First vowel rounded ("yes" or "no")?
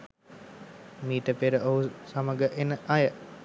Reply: no